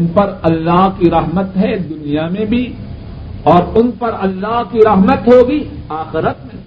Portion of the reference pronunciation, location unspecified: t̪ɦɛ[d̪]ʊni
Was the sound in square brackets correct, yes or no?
yes